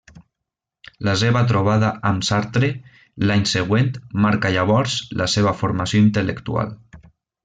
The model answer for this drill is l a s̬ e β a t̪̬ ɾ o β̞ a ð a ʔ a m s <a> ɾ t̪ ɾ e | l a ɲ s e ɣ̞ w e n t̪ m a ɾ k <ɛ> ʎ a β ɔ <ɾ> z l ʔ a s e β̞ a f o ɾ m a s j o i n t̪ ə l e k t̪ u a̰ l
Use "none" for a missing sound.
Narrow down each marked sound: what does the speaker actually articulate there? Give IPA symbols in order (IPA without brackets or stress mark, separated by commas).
a, a, ɾ